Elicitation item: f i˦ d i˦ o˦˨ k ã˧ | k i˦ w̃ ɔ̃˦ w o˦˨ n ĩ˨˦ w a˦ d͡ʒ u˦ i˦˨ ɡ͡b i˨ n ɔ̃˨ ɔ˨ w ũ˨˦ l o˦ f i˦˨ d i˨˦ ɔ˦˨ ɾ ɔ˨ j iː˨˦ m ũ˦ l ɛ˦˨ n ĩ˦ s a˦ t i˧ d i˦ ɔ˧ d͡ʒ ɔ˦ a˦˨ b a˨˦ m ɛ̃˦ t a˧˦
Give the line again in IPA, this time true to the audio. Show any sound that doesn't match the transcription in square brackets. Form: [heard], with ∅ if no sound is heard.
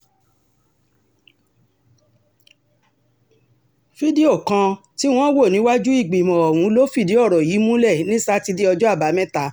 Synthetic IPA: f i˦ d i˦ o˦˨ k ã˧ | [t] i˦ w̃ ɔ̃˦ w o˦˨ n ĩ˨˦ w a˦ d͡ʒ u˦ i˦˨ ɡ͡b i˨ [m] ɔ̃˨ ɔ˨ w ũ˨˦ l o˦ f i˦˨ d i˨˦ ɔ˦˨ ɾ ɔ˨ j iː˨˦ m ũ˦ l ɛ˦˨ n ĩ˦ s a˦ t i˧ d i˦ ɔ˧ d͡ʒ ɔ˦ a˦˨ b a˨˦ m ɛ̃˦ t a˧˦